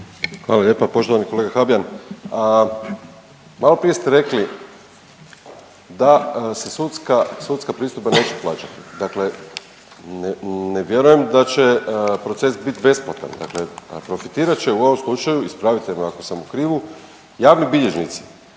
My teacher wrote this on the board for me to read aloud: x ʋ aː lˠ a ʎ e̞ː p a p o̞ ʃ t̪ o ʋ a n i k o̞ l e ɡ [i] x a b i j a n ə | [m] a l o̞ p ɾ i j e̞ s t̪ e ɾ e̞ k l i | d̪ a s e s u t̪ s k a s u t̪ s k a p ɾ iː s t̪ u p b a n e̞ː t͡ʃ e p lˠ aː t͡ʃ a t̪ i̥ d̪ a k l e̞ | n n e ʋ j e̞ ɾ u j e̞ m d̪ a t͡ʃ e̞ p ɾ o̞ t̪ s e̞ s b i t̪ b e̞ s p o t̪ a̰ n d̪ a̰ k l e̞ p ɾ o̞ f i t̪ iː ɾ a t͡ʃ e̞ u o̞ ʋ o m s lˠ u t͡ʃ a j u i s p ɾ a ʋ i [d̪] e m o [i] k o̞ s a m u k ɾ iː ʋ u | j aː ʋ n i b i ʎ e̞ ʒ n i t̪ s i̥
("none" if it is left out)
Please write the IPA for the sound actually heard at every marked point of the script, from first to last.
a, m, t̪, a

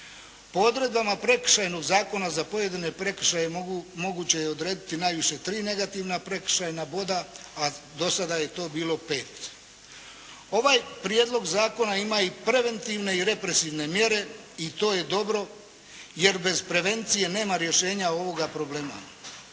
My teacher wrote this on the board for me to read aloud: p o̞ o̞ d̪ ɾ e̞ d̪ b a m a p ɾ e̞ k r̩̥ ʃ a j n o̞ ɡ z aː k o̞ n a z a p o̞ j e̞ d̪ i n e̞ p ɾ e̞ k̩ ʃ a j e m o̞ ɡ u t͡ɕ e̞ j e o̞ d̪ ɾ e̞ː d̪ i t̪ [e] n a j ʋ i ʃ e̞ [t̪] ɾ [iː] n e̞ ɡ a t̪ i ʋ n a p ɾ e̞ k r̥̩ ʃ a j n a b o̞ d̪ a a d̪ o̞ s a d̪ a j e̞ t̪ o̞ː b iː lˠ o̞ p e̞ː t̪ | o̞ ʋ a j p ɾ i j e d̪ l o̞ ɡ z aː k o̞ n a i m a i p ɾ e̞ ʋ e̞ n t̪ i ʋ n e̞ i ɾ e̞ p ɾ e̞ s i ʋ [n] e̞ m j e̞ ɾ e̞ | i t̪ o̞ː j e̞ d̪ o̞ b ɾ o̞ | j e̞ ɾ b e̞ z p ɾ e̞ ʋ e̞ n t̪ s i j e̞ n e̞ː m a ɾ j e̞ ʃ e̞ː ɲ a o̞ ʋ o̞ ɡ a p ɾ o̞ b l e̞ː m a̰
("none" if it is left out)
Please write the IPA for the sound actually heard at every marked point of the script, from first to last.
i, t̪, iː, n

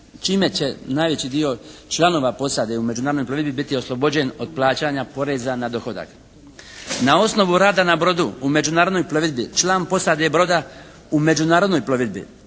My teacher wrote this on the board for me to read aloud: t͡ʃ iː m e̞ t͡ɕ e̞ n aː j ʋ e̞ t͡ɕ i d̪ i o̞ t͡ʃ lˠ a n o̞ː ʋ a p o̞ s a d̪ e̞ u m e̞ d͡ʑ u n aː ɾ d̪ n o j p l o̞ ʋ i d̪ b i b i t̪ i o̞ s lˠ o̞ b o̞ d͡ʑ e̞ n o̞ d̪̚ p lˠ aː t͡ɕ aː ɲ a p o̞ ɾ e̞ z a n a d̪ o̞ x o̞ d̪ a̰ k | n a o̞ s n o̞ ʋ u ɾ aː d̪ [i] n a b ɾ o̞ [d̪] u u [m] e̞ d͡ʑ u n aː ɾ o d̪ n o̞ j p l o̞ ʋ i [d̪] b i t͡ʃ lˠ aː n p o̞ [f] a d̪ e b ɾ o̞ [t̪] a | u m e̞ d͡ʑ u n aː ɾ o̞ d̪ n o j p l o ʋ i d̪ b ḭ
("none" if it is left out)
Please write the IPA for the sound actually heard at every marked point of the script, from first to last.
a, d̪, m, d̪, s, d̪

